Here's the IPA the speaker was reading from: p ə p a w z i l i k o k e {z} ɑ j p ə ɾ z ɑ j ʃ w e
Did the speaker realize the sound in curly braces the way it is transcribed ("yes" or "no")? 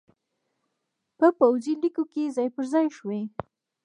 yes